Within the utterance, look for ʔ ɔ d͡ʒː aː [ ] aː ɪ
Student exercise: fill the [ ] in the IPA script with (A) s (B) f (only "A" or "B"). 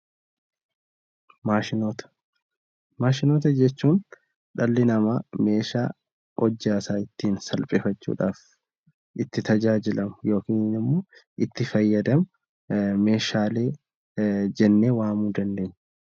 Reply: A